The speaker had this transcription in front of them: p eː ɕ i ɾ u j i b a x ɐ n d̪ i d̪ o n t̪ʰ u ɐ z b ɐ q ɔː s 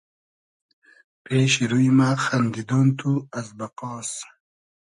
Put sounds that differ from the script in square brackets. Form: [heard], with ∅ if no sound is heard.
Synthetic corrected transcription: p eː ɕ i ɾ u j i [m] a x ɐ n d̪ i d̪ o n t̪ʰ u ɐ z b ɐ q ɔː s